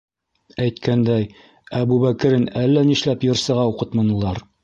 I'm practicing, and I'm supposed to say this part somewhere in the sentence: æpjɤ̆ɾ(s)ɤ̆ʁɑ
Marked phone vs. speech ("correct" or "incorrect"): correct